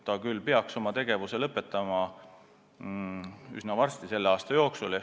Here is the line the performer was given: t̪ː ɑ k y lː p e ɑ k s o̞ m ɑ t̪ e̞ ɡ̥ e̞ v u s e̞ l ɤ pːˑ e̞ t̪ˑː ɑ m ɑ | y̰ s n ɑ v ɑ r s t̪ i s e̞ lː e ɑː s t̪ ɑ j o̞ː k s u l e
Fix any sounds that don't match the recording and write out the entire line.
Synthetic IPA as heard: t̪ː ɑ k y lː p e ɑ k s o̞ m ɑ t̪ e̞ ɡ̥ e̞ v u s e̞ l ɤ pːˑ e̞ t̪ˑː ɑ m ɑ | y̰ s n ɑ v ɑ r s t̪ i s e̞ lː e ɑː s t̪ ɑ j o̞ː k s u l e